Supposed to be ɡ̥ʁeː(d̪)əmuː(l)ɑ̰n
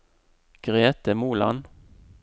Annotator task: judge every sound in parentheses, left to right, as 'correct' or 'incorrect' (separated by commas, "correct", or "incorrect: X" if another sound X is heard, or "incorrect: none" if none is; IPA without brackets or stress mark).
incorrect: t̪, correct